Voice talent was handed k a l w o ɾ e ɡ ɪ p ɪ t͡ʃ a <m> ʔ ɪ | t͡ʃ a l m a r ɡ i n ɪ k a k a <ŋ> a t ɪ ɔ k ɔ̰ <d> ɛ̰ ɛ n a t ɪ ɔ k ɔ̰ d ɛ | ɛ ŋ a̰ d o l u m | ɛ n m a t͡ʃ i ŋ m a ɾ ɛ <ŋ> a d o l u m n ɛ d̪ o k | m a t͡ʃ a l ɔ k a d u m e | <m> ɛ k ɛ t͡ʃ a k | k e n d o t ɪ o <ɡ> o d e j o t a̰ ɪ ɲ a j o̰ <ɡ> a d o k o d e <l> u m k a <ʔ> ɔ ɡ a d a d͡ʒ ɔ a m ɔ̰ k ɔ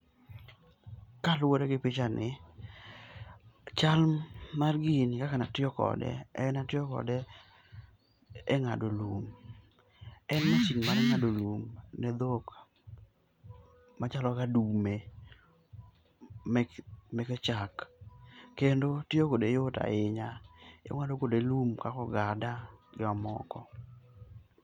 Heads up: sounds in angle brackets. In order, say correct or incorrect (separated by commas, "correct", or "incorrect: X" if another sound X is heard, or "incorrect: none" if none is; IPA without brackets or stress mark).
incorrect: n, incorrect: n, correct, correct, correct, incorrect: k, incorrect: ŋ, correct, incorrect: k